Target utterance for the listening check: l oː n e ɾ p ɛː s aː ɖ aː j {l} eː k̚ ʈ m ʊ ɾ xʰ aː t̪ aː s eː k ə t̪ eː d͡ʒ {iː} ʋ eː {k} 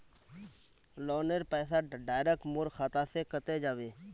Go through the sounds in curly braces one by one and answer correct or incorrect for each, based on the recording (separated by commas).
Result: incorrect, incorrect, incorrect